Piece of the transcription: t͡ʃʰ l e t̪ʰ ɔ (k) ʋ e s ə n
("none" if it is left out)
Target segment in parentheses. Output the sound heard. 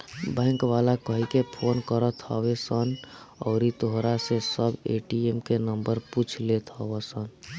none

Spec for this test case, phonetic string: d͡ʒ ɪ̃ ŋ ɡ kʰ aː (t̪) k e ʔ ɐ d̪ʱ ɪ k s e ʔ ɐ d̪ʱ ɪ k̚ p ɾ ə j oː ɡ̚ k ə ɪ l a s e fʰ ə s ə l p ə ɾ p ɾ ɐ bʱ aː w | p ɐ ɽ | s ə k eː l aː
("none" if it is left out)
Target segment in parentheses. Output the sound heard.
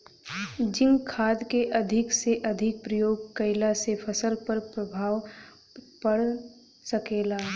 d̪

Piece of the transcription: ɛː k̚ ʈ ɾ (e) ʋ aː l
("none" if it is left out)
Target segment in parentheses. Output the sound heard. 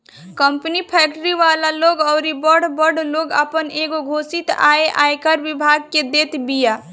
i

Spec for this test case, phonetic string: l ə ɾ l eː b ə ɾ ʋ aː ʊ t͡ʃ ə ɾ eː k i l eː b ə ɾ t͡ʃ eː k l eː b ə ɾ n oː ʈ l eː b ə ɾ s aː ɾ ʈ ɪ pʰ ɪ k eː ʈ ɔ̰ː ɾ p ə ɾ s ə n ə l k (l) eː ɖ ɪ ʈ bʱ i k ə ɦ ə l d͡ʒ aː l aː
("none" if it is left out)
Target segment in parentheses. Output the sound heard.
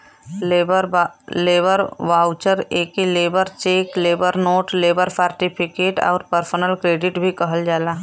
ɾ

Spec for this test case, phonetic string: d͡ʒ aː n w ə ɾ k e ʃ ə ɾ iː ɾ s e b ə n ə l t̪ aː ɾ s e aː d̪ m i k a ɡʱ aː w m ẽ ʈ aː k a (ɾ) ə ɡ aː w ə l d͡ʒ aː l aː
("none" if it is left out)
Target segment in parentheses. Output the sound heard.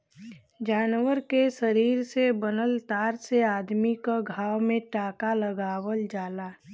l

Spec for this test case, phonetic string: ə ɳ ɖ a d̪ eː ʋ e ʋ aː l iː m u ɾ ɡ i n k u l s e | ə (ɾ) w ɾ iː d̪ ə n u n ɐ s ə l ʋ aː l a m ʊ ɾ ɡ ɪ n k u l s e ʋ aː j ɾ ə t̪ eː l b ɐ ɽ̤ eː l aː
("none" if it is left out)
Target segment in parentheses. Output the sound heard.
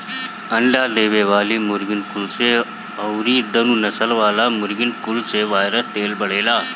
none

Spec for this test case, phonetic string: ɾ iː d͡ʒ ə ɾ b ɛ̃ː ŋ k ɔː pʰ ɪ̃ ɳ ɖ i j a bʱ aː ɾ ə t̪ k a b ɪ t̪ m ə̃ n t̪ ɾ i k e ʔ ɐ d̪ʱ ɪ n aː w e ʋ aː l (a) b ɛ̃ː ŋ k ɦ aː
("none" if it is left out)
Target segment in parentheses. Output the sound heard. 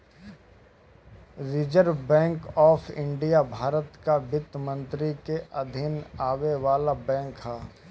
a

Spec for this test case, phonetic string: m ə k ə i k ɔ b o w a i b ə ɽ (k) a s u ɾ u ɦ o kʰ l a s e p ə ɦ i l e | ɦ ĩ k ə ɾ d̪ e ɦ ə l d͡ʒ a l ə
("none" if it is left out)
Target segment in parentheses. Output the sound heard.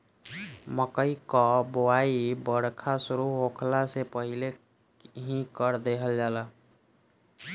kʰ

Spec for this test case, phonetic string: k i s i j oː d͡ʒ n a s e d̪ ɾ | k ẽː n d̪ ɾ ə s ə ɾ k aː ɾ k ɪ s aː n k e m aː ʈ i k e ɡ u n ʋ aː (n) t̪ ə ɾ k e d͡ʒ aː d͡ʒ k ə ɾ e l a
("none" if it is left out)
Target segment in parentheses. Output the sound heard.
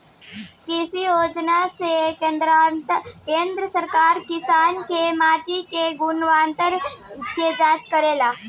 n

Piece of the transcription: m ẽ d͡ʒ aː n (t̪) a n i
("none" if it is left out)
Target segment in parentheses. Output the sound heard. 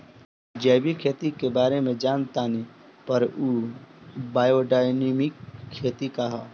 t̪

